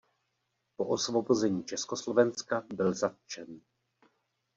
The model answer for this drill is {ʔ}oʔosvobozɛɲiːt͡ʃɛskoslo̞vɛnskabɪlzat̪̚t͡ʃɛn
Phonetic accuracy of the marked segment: incorrect: p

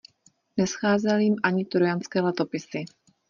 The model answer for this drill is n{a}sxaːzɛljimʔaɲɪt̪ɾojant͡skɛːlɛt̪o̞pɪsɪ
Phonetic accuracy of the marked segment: incorrect: ɛ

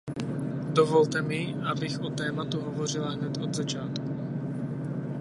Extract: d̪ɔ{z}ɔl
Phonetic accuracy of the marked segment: incorrect: v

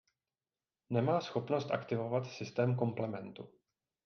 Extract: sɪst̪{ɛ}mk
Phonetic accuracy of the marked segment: incorrect: ɛː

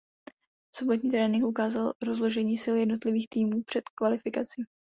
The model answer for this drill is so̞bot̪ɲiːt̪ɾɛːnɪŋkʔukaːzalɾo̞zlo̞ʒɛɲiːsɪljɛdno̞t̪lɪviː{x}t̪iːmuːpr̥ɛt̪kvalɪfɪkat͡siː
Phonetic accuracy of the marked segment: correct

